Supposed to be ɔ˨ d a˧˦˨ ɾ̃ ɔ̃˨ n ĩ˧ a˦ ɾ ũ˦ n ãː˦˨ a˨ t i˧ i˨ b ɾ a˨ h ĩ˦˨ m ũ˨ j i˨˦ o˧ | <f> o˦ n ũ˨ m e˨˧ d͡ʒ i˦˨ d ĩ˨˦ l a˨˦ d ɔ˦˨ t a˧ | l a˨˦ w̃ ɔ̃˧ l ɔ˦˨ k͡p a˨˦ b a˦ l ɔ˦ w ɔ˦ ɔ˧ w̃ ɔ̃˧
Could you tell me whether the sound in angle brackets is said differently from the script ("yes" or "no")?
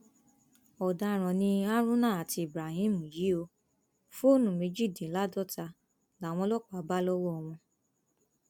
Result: no